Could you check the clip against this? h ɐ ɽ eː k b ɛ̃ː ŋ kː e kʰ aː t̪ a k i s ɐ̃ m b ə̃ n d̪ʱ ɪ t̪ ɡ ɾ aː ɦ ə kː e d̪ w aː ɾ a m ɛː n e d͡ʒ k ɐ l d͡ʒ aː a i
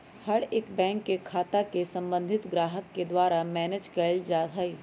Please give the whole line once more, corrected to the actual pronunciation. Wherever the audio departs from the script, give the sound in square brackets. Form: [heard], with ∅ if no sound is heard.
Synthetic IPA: h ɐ ɽ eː k b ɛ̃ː ŋ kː e kʰ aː t̪ a k [e] s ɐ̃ m b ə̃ n d̪ʱ ɪ t̪ ɡ ɾ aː ɦ ə kː e d̪ w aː ɾ a m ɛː n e d͡ʒ k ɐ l d͡ʒ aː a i